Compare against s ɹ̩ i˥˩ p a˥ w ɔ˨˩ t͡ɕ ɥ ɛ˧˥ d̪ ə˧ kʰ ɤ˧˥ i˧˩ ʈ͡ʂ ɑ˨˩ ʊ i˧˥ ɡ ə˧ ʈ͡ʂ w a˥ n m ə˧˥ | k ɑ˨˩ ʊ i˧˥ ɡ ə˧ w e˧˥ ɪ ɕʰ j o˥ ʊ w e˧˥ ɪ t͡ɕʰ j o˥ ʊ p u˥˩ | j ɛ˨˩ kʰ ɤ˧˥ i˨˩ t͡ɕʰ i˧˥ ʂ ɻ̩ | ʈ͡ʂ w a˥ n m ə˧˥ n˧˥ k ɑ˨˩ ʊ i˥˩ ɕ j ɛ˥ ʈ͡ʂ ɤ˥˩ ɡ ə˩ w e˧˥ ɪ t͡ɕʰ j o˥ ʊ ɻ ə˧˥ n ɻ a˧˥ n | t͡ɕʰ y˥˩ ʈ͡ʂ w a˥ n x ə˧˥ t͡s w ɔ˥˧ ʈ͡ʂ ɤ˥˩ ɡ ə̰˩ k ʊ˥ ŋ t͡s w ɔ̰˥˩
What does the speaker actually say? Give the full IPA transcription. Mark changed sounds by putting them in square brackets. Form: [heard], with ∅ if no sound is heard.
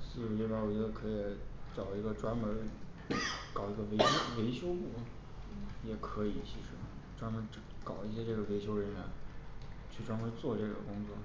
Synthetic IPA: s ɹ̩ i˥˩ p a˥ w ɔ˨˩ t͡ɕ ɥ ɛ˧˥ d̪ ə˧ kʰ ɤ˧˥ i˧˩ ʈ͡ʂ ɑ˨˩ ʊ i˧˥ ɡ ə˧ ʈ͡ʂ w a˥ n m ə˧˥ | k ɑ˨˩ ʊ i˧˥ ɡ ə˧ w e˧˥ ɪ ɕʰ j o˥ ʊ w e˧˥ ɪ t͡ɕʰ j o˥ ʊ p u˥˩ | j ɛ˨˩ kʰ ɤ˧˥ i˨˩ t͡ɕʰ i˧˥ ʂ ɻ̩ | ʈ͡ʂ w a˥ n m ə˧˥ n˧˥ k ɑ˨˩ ʊ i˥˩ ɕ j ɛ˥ ʈ͡ʂ ɤ˥˩ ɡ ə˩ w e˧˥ ɪ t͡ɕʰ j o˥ ʊ ɻ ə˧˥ n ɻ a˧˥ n | t͡ɕʰ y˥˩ ʈ͡ʂ w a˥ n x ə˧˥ t͡s w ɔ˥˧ ʈ͡ʂ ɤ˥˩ ɡ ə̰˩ k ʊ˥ ŋ t͡s w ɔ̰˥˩